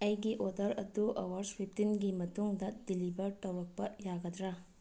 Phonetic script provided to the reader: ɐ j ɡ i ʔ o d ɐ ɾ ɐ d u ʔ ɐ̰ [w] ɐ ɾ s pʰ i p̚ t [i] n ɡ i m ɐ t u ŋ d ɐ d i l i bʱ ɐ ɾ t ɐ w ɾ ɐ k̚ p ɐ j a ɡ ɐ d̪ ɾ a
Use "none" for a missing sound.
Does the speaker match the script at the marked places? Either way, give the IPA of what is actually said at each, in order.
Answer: w, i

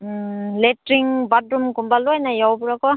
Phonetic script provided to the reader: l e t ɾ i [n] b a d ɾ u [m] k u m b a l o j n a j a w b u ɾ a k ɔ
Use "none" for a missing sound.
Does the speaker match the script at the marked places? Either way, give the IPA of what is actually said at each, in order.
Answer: ŋ, m

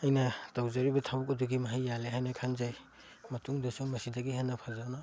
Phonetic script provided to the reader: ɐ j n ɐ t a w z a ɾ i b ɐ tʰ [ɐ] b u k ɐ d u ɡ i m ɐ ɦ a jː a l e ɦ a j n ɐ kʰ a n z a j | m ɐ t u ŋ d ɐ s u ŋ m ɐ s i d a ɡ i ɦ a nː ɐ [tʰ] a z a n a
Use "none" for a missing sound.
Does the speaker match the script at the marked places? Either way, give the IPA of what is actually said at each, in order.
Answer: a, pʰ

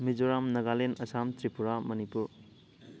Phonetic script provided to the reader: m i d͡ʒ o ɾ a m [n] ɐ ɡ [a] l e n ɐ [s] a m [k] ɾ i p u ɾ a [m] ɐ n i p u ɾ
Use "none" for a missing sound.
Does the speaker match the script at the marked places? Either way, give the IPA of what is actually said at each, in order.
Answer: n, a, s, t, m

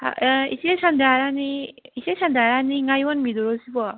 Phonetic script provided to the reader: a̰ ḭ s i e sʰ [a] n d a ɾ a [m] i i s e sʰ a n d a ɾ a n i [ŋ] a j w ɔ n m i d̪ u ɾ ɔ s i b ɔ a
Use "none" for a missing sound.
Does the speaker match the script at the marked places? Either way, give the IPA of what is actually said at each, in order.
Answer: a, n, ŋ

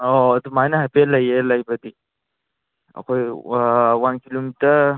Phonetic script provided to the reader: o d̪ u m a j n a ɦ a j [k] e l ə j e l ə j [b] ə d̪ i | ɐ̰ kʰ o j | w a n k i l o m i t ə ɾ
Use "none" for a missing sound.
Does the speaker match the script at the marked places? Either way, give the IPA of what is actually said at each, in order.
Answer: p, b

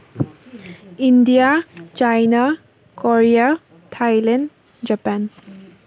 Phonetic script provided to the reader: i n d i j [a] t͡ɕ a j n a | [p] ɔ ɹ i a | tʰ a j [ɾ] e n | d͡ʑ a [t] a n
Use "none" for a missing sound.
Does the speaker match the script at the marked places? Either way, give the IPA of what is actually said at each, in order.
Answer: a, k, l, p

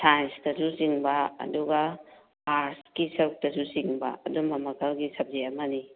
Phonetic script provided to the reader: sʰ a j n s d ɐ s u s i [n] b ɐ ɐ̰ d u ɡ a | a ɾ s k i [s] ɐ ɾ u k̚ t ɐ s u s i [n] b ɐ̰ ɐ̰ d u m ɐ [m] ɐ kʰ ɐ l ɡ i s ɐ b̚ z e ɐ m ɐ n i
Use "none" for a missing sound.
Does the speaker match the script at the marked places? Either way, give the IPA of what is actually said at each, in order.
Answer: ŋ, s, ŋ, m

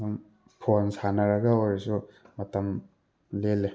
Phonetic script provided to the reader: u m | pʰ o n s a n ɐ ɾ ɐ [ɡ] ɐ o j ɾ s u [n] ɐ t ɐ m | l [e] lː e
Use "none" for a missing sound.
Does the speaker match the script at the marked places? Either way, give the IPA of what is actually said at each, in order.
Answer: ɡ, m, e

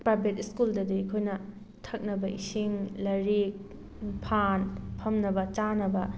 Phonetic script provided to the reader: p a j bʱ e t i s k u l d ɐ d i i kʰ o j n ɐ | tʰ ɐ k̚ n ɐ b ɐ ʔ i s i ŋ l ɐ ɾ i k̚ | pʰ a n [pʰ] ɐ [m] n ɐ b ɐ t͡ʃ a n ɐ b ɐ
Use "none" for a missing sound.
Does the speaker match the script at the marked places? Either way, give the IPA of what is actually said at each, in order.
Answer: pʰ, m

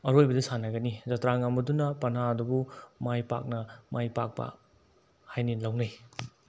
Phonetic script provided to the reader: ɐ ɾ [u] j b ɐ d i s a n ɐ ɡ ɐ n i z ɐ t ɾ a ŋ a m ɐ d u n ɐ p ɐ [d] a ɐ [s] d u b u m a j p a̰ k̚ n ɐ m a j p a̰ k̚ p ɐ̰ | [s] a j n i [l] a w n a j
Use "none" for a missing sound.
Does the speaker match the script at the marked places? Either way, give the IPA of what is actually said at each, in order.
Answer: o, n, none, h, l

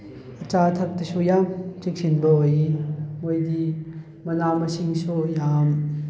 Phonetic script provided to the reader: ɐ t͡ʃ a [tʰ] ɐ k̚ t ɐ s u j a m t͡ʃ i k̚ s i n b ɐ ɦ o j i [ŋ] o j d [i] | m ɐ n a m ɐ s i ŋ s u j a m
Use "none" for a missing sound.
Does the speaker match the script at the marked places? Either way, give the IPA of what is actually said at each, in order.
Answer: tʰ, m, i

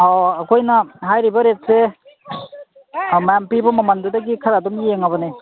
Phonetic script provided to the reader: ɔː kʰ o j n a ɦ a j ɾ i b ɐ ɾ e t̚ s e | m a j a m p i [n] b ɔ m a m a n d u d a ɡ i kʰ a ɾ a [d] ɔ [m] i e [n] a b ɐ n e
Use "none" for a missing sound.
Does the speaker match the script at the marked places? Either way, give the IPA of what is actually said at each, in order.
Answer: none, d, m, ŋ

